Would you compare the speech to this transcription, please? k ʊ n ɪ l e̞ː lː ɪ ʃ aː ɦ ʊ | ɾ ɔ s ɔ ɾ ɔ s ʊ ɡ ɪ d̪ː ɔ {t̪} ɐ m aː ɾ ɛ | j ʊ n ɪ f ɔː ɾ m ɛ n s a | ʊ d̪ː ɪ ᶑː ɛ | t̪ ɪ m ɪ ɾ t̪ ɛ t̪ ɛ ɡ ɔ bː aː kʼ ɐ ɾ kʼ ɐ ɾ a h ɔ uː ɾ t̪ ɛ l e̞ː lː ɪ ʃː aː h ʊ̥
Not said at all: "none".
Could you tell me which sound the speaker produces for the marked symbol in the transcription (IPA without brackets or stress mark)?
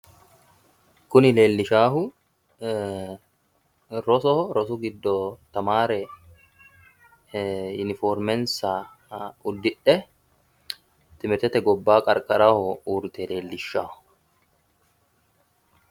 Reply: t̪